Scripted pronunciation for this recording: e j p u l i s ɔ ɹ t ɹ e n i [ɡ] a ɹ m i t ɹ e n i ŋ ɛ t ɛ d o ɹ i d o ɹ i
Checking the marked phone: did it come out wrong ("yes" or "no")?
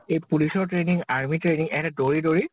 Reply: yes